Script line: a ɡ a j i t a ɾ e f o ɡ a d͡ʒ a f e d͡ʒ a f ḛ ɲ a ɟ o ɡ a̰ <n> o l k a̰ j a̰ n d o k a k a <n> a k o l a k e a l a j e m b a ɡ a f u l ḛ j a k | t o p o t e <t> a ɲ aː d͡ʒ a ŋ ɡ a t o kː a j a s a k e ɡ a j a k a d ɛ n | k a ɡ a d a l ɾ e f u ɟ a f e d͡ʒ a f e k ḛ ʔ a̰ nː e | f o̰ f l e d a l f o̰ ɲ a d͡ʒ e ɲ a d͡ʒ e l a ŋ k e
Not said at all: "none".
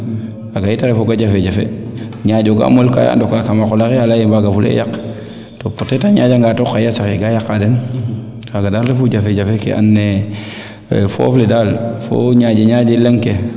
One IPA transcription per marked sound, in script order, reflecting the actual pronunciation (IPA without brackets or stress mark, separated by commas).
m, m, t